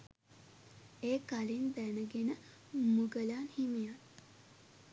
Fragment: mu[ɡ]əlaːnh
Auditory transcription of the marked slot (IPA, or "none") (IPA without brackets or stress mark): ɡ